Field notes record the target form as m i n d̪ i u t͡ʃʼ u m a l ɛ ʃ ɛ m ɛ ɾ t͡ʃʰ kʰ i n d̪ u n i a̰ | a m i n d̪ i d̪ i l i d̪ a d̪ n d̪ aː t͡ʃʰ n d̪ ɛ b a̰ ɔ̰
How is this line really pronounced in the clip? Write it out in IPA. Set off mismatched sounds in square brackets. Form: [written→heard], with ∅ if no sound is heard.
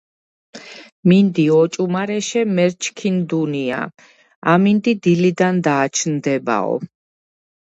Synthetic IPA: m i n d̪ i [u→ɔ] t͡ʃʼ u m a [l→ɾ] ɛ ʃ ɛ m ɛ ɾ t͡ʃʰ kʰ i n d̪ u n i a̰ | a m i n d̪ i d̪ i l i d̪ a [d̪→∅] n d̪ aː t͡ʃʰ n d̪ ɛ b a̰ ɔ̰